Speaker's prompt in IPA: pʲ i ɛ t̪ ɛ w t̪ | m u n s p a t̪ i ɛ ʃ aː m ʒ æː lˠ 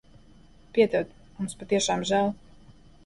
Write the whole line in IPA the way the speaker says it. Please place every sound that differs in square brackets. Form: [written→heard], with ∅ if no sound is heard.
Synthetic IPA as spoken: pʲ i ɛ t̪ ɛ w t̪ | m u [n→m] s p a t̪ i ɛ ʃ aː m ʒ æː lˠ